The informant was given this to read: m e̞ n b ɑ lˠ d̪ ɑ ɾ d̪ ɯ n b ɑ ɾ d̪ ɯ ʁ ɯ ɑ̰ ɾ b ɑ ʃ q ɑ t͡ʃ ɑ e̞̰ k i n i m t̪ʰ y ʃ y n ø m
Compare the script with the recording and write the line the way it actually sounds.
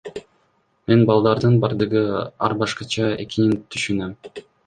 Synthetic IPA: m e̞ n b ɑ lˠ d̪ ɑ ɾ d̪ ɯ n b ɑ ɾ d̪ ɯ ʁ ɯ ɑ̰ ɾ b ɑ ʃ q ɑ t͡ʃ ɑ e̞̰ k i n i n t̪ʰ y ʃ y n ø m